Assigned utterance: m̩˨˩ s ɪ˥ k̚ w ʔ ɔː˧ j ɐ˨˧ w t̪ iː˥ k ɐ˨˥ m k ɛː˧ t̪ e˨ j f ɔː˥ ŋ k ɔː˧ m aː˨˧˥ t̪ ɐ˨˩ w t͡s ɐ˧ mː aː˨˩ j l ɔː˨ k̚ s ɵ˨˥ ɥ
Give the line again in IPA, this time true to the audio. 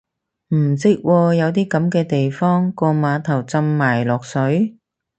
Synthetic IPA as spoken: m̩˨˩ s ɪ˥ k̚ w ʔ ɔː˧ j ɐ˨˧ w t̪ iː˥ k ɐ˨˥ m k ɛː˧ t̪ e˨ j f ɔː˥ ŋ k ɔː˧ m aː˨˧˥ t̪ʰ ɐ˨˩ w t͡s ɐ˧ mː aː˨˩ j l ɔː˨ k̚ s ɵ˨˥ ɥ

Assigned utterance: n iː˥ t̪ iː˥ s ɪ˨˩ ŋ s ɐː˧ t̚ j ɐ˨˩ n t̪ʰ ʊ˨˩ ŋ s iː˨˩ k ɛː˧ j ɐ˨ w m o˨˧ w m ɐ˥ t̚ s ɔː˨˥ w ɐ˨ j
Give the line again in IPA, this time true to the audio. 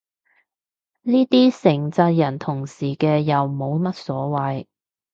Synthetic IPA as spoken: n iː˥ t̪ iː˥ s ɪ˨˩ ŋ t͡s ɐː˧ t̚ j ɐ˨˩ n t̪ʰ ʊ˨˩ ŋ s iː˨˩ k ɛː˧ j ɐ˨ w m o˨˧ w m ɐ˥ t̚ s ɔː˨˥ w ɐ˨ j

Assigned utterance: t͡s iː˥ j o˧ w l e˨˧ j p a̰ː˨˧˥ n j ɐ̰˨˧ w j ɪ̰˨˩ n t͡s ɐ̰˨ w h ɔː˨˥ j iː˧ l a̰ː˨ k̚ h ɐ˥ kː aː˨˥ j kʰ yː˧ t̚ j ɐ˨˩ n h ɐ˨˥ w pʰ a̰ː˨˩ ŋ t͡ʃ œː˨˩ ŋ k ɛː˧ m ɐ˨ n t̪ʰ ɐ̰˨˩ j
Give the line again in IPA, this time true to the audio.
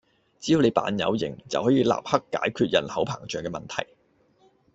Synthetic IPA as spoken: t͡s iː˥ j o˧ w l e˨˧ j p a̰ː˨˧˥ n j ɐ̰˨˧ w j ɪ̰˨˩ ŋ t͡s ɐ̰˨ w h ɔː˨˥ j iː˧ l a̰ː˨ p̚ h ɐ˥ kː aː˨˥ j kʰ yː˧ t̚ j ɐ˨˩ n h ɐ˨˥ w pʰ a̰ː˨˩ ŋ t͡ʃ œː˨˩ ŋ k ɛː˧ m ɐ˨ n t̪ʰ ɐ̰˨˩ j

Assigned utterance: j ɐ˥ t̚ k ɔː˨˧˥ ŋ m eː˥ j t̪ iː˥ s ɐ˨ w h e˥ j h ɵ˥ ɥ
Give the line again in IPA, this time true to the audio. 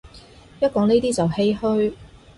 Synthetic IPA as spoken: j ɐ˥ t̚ k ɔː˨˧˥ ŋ n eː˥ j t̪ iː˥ t͡s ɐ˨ w h e˥ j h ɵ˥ ɥ

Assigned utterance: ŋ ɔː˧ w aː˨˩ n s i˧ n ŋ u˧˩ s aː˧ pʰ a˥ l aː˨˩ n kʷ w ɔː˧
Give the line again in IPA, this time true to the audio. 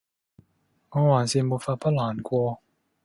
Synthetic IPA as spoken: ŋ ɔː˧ w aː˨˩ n s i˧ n m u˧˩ f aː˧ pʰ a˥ l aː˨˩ n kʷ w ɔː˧

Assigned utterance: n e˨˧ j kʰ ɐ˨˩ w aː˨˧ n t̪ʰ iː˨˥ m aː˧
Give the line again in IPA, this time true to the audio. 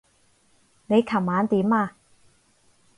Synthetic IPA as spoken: n e˨˧ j kʰ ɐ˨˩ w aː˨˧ n t̪ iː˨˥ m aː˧

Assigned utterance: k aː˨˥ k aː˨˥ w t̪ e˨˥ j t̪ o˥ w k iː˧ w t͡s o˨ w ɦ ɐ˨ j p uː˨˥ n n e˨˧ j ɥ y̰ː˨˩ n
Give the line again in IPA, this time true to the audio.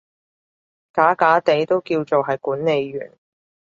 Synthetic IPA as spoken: k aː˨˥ k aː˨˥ t̪ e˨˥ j t̪ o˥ w k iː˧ w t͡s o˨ w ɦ ɐ˨ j k uː˨˥ n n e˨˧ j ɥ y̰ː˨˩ n

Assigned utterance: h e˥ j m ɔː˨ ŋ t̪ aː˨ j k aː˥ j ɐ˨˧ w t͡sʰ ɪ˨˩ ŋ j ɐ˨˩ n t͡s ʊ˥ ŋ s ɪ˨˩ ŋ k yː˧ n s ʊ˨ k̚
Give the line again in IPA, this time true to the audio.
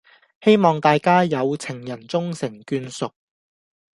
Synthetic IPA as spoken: h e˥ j m ɔː˨ ŋ t̪ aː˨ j k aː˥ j ɐ˨˧ w t͡sʰ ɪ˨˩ ŋ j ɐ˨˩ n t͡s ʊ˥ ŋ s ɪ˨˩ ŋ k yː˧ n s ʊ˨ k̚

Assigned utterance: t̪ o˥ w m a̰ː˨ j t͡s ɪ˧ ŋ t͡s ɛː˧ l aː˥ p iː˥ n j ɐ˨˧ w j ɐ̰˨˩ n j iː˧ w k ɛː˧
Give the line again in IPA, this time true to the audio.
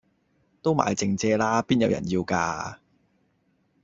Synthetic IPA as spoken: t̪ o˥ w m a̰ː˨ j t͡s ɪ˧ ŋ t͡s ɛː˧ l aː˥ p iː˥ n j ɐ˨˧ w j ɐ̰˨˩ n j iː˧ w k aː˧

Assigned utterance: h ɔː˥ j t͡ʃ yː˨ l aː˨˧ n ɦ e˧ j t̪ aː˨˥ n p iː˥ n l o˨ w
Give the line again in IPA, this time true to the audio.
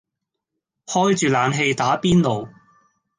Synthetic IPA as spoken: h ɔː˥ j t͡ʃ yː˨ l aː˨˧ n ɦ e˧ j t̪ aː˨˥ p iː˥ n l o˨ w

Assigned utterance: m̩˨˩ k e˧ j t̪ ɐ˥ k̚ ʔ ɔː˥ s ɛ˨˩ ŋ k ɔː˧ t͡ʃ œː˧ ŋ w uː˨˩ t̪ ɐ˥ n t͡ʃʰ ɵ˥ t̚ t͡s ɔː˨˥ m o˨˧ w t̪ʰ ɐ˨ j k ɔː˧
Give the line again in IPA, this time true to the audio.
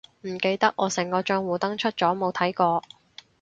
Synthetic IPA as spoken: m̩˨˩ k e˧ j t̪ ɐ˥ k̚ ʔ ɔː˨˧ s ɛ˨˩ ŋ k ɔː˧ t͡ʃ œː˧ ŋ w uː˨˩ t̪ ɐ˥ ŋ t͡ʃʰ ɵ˥ t̚ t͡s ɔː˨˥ m o˨˧ w t̪ʰ ɐ˨˥ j k ɔː˧

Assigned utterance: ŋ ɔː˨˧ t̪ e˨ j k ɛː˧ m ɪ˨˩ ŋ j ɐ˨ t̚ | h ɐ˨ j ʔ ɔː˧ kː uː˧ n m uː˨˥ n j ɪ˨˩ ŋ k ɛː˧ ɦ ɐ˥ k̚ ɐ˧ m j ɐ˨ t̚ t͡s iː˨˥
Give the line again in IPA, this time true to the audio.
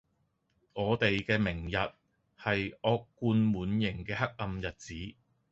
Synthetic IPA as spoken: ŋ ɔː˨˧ t̪ e˨ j k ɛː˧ m ɪ˨˩ ŋ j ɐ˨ t̚ | h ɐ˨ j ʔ ɔː˧ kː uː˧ n m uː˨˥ n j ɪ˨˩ ŋ k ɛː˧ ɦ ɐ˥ k̚ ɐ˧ m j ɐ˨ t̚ t͡s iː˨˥

